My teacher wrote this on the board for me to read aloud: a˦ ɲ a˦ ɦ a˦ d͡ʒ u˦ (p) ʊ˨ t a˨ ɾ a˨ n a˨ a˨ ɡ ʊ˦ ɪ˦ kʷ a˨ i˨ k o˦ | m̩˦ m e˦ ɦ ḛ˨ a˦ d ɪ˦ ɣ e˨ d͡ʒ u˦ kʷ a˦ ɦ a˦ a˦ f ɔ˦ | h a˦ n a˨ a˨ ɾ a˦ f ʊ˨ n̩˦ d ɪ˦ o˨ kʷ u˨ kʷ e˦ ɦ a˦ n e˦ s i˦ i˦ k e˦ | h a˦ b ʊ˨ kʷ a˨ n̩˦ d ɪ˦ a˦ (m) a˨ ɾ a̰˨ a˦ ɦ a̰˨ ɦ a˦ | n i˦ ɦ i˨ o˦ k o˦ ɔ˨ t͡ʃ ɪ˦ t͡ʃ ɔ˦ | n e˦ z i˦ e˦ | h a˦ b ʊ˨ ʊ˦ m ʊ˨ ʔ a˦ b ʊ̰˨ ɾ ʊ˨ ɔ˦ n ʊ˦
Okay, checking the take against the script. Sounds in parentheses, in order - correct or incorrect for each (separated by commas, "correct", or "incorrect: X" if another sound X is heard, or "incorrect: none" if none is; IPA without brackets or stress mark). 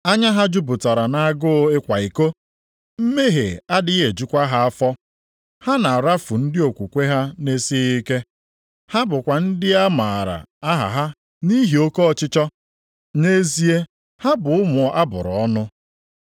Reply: incorrect: b, correct